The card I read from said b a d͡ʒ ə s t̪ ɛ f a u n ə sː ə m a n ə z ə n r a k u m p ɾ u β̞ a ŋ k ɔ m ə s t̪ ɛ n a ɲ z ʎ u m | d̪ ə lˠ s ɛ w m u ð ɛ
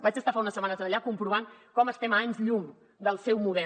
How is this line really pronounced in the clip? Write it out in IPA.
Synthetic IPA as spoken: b a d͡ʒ ə s t̪ a f a u n ə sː ə m a n ə z ə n ʎ a k u m p ɾ u β̞ a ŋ k ɔ m ə s t̪ ɛ m a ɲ z ʎ u ŋ | d̪ ə lˠ s ɛ w m u ð ɛ

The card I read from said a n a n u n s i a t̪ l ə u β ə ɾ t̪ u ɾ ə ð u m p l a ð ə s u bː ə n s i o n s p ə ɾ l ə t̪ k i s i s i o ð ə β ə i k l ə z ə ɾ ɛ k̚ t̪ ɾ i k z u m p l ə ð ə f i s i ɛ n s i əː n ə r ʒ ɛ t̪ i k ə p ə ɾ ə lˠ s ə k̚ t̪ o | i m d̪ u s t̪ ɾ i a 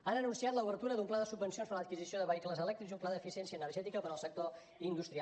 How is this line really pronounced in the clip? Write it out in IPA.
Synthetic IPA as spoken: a n ə n u n s i a t̪ l ə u β ə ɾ t̪ u ɾ ə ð u m p l a ð ə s u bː ə n s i o n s p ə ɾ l ə t̪ k i z i s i o ð ə β ə i k l ə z ə l ɛ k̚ t̪ ɾ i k z u m p l a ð ə f i s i ɛ n s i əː n ə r ʒ ɛ t̪ i k ə p ə ɾ ə lˠ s ə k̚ t̪ o | i n d̪ u s t̪ ɾ i a

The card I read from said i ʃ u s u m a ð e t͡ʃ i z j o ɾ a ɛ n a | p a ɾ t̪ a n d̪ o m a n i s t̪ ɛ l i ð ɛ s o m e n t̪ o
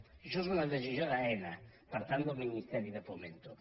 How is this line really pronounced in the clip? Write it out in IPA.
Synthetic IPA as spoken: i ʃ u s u n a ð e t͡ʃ i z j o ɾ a ɛ n a | p a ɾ t̪ a n d̪ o m i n i s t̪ ɛ ɾ i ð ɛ f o m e n t̪ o

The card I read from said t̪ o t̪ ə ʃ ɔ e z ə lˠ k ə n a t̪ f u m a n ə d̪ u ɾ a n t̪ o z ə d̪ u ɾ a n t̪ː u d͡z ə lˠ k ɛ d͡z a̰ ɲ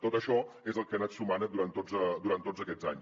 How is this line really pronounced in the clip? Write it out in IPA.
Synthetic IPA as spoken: t̪ o t̪ ə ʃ ɔ e z ə lˠ k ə n a t̪ s u m a n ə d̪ u ɾ a n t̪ o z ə d̪ u ɾ a n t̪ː o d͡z ə k ɛ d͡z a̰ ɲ

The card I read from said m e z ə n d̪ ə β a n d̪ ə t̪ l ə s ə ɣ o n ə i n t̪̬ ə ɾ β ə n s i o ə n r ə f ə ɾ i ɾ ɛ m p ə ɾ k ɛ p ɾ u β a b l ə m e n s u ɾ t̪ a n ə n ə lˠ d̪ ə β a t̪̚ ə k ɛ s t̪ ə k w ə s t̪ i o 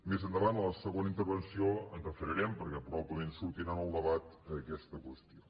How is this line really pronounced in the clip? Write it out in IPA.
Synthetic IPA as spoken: m e z ə n d̪ ə β a n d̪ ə l ə s ə ɣ o n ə i n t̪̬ ə ɾ β ə n s i o ə n r ə f ə ɾ i ɾ ɛ m p ə ɾ k ɛ p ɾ u β a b l ə m e n s u ɾ t̪ i n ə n ə lˠ d̪ ə β a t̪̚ ə k ɛ s t̪ ə k w ə s t̪ i o

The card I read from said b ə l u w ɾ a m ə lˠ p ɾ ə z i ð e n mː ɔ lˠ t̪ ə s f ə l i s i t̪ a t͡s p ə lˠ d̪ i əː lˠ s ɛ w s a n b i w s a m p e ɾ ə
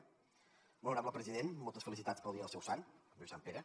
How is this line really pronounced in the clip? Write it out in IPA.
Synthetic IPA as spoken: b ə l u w ɾ a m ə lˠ p ɾ ə z i ð e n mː ɔ lˠ t̪ ə s f ə l i s i t̪ a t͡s p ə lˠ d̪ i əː lˠ s ɛ w s a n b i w s a m p e ɾ ə

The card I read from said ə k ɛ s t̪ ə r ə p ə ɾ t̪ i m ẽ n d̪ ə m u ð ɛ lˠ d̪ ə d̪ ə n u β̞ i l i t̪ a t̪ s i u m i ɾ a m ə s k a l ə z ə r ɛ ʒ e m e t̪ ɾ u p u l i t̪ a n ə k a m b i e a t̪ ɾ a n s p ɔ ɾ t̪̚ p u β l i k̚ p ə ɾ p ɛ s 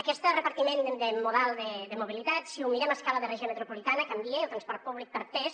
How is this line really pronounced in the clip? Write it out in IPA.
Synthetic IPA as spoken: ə k ɛ s t̪ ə r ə p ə ɾ t̪ i m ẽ n d̪ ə m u ð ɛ lˠ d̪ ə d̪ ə m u β̞ i l i t̪ a t̪ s i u m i ɾ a m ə s k a l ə ð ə r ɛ ʒ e m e t̪ ɾ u p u l i t̪ a n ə k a m b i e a t̪ ɾ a n s p ɔ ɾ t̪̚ p u β l i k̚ p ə ɾ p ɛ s

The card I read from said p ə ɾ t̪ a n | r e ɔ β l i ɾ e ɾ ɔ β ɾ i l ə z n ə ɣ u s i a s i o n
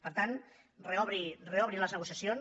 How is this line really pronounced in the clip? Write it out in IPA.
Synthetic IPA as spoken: p ə ɾ t̪ a n | r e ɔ β ɾ i r e ɔ β ɾ i l ə z n ə ɣ u s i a s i o n

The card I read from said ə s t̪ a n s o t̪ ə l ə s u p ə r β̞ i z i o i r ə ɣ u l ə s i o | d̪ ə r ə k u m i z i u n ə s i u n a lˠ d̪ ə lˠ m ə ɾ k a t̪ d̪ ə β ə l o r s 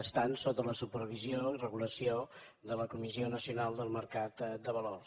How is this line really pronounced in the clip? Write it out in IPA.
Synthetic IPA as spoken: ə s t̪ a n s o t̪ ə l ə s u p ə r β̞ i z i o i r ə ɣ u l ə s i o | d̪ ə l ə k u m i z i o n ə s i u n a lˠ d̪ ə lˠ m ə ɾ k a t̪ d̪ ə β ə l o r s

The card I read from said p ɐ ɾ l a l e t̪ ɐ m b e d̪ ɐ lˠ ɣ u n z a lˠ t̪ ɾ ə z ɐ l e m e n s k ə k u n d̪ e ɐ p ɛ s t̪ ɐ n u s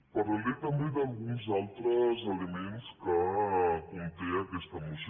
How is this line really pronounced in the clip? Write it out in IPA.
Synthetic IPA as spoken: p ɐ ɾ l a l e t̪ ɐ m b e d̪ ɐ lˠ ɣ u n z a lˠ t̪ ɾ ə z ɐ l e m e n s k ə k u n t̪ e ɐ k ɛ s t̪ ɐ m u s

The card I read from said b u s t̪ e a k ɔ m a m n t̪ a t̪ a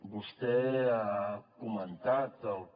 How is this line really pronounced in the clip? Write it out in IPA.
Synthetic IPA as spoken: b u s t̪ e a k u m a n t̪ a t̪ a

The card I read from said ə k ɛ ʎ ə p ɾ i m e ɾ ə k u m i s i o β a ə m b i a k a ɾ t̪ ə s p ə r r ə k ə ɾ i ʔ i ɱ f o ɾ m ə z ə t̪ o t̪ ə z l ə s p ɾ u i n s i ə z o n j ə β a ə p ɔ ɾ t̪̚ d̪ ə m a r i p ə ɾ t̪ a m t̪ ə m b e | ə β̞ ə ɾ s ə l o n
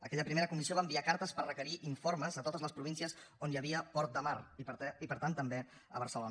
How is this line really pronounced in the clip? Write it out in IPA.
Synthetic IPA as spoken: ə k ɛ ʎ ə p ɾ i m e ɾ ə k u m i s i o β a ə m b i a k a ɾ t̪ ə s p ə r r ə k ə ɾ i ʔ i ɱ f o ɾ m ə z ə t̪ o t̪ ə z l ə s p ɾ u i n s i ə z o n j ə β i ə p ɔ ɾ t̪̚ d̪ ə m a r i p ə ɾ t̪ a n t̪ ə m b e | ə β̞ ə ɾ s ə l o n

